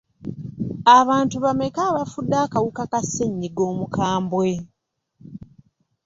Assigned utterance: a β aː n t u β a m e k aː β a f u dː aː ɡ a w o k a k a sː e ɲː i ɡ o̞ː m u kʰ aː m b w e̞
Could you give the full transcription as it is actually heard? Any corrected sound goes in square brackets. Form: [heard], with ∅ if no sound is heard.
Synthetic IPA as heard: a β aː n t u β a m e k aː β a f u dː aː [k] a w [u] k a k a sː e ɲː i ɡ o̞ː m u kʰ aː m b w e̞

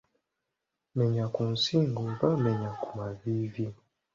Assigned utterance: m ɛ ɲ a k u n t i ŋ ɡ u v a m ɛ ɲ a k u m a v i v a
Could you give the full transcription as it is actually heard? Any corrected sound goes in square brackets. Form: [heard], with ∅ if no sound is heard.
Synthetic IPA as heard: m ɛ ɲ a k u n [s] i ŋ ɡ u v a m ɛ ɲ a k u m a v i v [i]

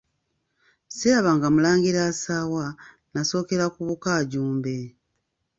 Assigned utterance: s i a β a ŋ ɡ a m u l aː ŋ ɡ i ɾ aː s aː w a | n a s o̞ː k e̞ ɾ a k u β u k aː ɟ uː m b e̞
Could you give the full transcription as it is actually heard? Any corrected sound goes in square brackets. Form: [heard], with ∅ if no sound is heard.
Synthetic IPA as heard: s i a β a ŋ ɡ a m u l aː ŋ ɡ i ɾ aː s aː w a | n a s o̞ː k e̞ ɾ a k u β u k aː ɟ uː m b e̞

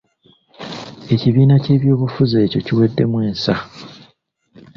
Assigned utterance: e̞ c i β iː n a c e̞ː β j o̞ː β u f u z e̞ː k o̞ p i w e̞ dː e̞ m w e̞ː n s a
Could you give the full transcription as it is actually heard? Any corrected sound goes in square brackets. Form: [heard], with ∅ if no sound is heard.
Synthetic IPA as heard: e̞ c i β iː n a c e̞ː β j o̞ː β u f u z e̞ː [c] o̞ [c] i w e̞ dː e̞ m w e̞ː n s a

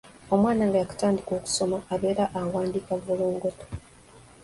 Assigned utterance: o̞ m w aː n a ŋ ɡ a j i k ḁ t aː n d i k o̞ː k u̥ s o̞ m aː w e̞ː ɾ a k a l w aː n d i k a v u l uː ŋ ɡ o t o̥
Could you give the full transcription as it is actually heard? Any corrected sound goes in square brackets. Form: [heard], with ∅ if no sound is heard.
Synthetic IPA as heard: o̞ m w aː n a ŋ ɡ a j [a] k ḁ t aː n d i k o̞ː k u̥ s o̞ m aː [β] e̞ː ɾ a [ʔ] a [∅] w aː n d i k a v u l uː ŋ ɡ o t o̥

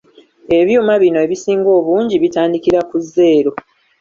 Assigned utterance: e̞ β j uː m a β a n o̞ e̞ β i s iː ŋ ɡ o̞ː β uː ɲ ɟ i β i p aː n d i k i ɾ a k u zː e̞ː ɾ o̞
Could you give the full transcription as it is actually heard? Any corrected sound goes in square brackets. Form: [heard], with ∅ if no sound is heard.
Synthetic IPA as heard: e̞ β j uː m a β [i] n o̞ e̞ β i s iː ŋ ɡ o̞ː β uː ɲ ɟ i β i [t] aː n d i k i ɾ a k u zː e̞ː ɾ o̞

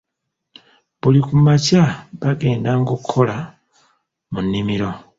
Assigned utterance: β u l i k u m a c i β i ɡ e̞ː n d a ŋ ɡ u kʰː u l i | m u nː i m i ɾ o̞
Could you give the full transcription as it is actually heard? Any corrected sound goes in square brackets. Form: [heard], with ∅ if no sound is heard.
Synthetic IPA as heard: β u l i k u m a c [a] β [a] ɡ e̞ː n d a ŋ ɡ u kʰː [o] l [a] | m u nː i m i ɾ o̞

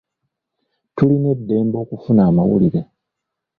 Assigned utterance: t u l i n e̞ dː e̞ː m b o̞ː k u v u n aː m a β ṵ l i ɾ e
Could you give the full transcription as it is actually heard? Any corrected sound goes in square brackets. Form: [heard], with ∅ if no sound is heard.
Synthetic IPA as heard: t u l i n e̞ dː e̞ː m b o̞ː k u [f] u n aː m a [w] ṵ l i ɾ e

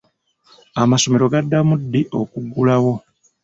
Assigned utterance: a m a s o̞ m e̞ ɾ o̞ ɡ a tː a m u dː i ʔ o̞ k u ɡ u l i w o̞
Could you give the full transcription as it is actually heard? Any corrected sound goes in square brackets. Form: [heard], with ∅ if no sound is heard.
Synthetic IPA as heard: a m a s o̞ m e̞ ɾ o̞ ɡ a [dː] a m u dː i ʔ o̞ k u ɡ u l [a] w o̞

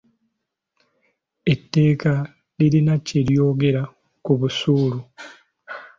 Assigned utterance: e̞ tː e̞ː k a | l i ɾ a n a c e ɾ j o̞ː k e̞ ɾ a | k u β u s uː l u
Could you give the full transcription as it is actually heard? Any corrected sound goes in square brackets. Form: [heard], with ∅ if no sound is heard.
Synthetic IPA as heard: e̞ tː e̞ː k a | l i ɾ [i] n a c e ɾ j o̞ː [ɡ] e̞ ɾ a | k u β u s uː l u

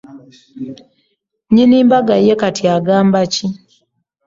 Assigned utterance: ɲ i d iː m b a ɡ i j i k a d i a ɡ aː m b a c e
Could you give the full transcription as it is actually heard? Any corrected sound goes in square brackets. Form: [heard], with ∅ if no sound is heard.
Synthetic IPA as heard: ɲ i [n] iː m b a ɡ [a] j [e] k a [t] i a ɡ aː m b a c [i]

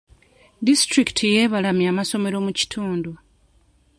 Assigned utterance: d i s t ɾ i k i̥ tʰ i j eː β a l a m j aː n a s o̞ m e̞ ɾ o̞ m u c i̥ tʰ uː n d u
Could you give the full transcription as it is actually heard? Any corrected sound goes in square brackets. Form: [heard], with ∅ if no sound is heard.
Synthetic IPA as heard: d i s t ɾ i k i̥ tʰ i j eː β a l a m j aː [m] a s o̞ m e̞ ɾ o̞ m u c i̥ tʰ uː n d u

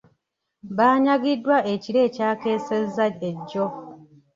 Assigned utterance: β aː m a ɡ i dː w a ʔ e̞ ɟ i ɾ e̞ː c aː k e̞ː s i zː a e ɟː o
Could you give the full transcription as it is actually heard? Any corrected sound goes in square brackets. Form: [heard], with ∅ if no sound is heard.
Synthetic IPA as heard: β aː [ɲ] a ɡ i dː w a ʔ e̞ [c] i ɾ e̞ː c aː k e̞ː s [e] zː a e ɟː o

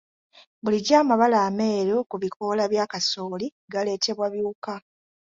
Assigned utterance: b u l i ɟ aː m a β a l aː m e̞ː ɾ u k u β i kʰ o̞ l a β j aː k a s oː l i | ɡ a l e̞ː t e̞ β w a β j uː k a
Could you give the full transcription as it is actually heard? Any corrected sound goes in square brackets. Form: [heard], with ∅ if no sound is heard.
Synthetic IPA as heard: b u l i ɟ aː m a β a l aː m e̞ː ɾ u k u β i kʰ o̞ l a β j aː k a s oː l i | ɡ a l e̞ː t e̞ β w a β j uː k a

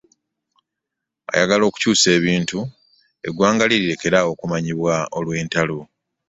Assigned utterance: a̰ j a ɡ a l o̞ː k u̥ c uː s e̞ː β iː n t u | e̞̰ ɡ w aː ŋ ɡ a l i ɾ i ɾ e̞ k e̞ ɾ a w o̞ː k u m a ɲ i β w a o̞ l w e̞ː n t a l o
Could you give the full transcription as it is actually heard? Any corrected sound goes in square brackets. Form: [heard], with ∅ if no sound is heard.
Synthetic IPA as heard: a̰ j a ɡ a l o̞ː k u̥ c uː s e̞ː β iː n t u | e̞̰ ɡ w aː ŋ ɡ a l i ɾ i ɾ e̞ k e̞ ɾ a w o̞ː k u m a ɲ i β w a o̞ l w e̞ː n t a l o

